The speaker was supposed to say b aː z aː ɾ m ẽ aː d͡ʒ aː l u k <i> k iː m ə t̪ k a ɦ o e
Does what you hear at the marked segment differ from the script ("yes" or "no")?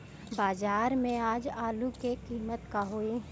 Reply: yes